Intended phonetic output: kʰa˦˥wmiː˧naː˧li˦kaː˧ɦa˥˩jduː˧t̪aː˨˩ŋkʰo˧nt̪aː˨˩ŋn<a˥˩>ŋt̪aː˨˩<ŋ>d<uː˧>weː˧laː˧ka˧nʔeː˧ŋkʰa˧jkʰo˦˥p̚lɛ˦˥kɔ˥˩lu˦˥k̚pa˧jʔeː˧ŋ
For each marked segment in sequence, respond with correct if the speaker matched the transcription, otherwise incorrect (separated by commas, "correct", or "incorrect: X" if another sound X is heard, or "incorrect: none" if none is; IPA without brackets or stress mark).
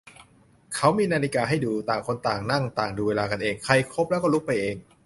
correct, correct, correct